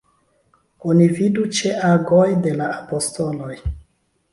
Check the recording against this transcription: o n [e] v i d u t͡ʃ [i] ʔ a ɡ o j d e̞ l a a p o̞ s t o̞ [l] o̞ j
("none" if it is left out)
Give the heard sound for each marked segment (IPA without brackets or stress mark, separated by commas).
i, e, l